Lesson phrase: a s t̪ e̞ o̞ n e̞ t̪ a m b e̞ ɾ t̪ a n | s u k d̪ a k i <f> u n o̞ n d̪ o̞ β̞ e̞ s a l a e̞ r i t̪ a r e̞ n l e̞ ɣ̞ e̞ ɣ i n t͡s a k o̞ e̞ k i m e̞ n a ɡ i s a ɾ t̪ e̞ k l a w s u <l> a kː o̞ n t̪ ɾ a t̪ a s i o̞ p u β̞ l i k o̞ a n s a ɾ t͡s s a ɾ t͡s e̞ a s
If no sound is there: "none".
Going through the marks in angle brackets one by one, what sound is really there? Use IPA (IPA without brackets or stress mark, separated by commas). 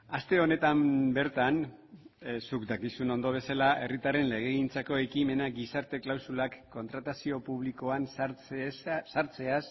s, l